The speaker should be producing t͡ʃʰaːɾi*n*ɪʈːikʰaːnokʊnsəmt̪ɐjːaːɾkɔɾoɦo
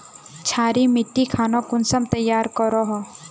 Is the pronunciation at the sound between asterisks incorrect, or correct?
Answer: incorrect